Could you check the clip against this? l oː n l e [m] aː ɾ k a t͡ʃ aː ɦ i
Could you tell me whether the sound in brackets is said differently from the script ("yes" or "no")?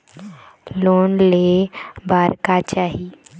yes